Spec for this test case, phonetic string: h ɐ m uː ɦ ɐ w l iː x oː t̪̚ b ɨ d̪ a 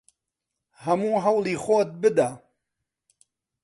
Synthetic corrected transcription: h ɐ m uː ɦ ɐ w l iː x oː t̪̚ b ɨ d̪ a